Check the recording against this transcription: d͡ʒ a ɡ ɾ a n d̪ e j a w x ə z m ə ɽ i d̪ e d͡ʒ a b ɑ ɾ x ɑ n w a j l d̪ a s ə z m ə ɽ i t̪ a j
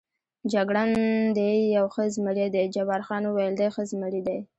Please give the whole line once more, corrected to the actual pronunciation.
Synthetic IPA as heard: d͡ʒ a ɡ ɽ a n d̪ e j a w x ə z m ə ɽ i d̪ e d͡ʒ a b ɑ ɾ x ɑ n w a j l d̪ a x ə z m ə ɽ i d̪ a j